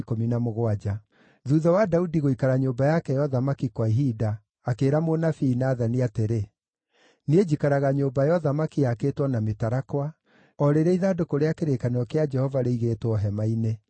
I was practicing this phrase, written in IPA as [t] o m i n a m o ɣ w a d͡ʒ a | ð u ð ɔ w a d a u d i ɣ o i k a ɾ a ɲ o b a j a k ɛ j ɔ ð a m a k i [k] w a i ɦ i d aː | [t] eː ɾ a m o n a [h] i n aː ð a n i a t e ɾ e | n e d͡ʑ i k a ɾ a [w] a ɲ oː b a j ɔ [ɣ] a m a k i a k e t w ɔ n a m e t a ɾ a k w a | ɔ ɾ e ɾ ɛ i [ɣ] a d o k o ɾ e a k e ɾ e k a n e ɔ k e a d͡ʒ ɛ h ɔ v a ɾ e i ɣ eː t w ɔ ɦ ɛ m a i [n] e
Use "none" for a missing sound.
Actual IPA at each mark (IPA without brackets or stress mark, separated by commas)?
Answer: k, k, k, f, ɣ, ð, ð, n